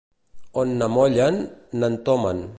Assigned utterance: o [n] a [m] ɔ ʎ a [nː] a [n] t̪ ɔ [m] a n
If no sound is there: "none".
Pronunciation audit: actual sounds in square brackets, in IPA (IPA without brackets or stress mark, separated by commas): nː, m, nː, n, m